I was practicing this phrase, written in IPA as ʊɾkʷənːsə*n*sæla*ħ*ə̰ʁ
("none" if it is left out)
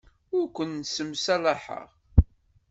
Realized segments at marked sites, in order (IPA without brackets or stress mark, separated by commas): m, ħ